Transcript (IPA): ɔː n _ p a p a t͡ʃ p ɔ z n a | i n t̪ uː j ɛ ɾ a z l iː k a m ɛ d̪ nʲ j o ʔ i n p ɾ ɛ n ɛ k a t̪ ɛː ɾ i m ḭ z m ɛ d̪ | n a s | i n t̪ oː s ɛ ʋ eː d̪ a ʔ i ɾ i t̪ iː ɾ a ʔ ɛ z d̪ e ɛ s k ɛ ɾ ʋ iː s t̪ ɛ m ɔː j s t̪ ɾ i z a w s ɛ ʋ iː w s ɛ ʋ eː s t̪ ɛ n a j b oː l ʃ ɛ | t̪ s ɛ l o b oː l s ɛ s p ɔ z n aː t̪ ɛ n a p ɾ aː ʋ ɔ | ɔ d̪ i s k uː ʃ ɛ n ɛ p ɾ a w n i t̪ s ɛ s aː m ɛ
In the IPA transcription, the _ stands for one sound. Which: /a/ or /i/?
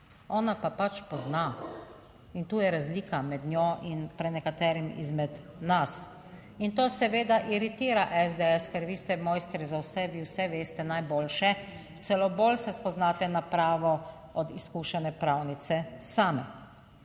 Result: a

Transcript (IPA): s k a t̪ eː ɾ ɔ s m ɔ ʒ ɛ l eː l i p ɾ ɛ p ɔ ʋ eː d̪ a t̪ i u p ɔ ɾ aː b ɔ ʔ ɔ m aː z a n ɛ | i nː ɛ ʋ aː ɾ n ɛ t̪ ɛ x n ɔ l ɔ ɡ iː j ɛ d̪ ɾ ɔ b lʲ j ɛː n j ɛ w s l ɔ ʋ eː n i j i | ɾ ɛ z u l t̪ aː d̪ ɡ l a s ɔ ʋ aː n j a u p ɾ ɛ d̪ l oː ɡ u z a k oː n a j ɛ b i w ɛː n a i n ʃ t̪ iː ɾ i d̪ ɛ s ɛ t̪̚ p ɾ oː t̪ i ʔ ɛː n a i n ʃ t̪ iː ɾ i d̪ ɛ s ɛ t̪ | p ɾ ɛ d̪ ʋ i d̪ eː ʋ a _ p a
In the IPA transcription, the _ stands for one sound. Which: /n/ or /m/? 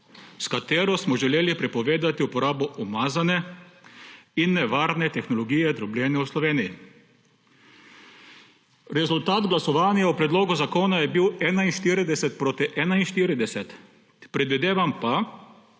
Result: m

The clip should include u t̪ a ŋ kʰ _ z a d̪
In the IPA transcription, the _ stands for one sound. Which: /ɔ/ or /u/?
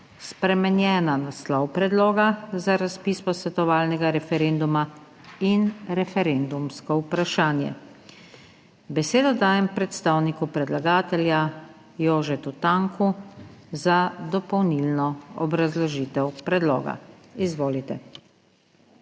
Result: u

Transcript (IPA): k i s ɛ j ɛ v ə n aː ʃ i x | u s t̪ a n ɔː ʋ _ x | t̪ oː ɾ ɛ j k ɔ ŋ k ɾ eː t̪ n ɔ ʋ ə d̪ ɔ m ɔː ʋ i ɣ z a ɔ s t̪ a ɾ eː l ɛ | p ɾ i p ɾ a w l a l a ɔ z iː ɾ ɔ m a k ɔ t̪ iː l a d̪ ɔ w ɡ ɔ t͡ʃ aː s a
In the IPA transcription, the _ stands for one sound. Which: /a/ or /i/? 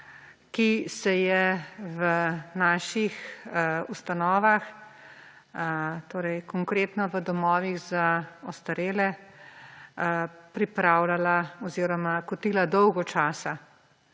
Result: a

